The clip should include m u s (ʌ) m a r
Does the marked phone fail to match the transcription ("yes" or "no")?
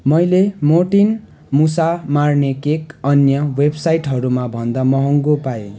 yes